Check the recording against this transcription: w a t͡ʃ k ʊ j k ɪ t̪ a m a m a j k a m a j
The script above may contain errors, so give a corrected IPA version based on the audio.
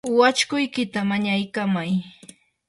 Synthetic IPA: w a t͡ʃ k ʊ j k ɪ t̪ a m a ɲ a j k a m a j